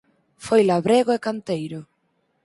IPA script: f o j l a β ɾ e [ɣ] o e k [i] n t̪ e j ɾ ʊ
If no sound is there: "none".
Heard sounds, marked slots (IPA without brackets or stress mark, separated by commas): ɣ, a